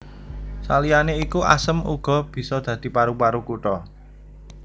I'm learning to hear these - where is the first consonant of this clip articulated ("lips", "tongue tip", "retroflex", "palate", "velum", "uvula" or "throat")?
tongue tip